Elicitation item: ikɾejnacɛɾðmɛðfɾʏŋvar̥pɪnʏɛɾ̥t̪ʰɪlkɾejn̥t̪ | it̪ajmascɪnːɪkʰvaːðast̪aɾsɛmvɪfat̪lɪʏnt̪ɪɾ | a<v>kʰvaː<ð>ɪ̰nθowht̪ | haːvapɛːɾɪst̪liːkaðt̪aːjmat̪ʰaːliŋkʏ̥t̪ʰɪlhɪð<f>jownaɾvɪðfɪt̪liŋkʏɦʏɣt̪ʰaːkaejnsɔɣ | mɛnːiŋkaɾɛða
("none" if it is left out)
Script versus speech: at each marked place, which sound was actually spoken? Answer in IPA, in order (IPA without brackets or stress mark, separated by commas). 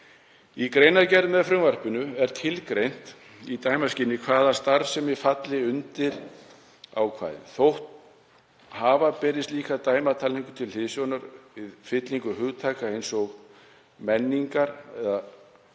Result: w, ð, s